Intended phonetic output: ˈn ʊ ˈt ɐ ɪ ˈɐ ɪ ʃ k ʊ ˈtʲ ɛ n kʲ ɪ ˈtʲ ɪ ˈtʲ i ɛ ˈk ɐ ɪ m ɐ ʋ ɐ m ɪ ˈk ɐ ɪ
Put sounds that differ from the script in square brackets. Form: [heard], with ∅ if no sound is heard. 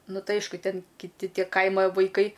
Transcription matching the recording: ˈn ʊ ˈt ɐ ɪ ˈɐ ɪ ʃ k ʊ ˈtʲ ɛ n kʲ ɪ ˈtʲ ɪ ˈtʲ i ɛ ˈk ɐ ɪ m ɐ ʋ ɐ [∅] ɪ ˈk ɐ ɪ